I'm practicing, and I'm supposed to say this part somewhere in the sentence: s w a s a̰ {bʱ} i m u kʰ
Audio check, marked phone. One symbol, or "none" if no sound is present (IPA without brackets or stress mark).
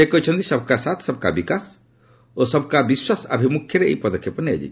bʱ